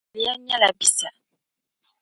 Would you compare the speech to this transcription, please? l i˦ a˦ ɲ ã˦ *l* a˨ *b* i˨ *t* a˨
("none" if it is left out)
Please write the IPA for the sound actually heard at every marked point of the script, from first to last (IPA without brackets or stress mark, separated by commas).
l, b, s